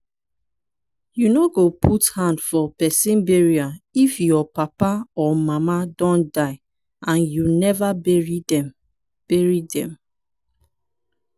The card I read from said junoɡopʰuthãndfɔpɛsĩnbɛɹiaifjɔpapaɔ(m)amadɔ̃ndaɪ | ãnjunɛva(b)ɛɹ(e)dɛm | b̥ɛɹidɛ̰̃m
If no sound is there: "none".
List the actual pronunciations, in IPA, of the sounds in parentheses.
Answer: m, b, i

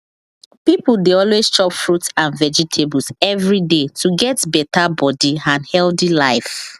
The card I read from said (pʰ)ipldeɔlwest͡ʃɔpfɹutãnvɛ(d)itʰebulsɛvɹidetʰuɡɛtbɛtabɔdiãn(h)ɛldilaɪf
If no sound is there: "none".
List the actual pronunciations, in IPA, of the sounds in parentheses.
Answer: p, d͡ʒ, h

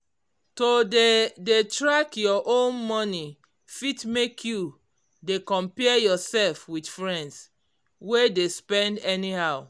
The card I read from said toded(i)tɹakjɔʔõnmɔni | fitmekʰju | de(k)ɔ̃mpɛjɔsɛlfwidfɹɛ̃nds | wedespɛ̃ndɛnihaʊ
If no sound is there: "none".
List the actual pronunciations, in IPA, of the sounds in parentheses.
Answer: e, k

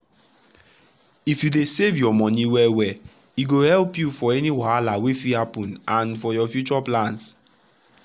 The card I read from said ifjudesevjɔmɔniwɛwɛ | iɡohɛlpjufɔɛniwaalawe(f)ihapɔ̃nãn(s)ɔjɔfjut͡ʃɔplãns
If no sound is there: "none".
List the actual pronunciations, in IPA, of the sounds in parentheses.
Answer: f, f

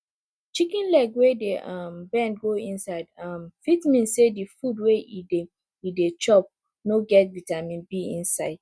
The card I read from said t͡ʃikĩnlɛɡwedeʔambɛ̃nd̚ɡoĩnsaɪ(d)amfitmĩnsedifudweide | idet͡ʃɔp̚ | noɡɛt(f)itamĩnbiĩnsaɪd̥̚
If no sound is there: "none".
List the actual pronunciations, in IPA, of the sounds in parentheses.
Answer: d, v

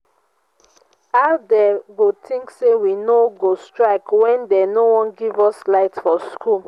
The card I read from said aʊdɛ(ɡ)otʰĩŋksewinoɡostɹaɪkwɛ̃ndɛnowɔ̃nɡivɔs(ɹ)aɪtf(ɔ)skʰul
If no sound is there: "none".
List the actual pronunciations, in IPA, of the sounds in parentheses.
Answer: ɡ, l, ɔ

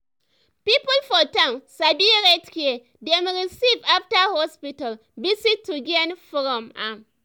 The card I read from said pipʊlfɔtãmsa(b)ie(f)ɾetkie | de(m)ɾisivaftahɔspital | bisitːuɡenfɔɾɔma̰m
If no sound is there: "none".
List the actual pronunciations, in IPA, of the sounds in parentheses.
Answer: b, none, m

